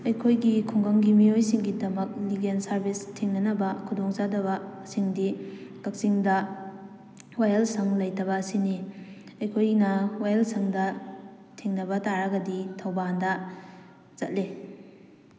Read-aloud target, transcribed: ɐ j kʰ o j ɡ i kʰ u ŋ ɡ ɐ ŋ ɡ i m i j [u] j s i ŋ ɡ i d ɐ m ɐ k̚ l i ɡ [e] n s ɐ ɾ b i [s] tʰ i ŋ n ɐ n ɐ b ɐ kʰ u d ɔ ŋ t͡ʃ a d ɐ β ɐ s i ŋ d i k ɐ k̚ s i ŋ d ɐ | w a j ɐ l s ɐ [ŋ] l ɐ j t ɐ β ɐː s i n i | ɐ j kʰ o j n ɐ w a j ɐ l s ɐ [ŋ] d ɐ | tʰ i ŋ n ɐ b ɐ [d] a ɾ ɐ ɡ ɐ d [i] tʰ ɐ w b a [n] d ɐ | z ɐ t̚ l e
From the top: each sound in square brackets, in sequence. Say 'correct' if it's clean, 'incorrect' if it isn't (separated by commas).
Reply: incorrect, correct, correct, correct, correct, incorrect, correct, correct